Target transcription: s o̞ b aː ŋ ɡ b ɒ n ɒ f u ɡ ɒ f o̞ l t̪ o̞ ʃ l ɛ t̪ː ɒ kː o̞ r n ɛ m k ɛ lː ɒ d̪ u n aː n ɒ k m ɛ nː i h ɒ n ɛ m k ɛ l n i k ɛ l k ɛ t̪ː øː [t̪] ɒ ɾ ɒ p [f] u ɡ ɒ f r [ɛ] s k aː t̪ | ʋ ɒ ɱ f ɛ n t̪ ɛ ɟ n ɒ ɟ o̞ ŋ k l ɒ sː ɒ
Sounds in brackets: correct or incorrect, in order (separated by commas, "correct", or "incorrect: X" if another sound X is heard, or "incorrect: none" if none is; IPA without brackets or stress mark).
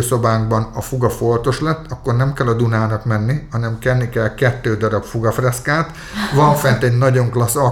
incorrect: d̪, correct, correct